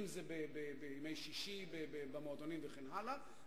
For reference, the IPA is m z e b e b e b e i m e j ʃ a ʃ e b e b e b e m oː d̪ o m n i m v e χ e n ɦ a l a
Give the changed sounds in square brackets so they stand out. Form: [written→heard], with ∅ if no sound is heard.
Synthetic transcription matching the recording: m z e b e b e b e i m e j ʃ [a→i] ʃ [e→i] b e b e b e m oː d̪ o [m→∅] n i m v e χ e n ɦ a l a